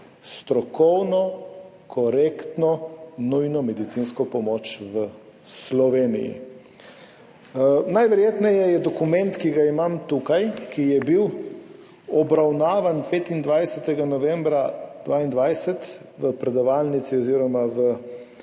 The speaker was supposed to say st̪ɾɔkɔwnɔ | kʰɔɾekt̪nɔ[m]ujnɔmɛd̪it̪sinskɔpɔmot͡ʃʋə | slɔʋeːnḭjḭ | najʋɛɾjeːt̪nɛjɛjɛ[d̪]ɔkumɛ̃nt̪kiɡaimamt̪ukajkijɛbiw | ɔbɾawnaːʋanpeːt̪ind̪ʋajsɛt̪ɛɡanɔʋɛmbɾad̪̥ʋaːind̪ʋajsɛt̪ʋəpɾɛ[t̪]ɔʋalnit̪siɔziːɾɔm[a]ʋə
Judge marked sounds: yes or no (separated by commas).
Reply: no, yes, no, yes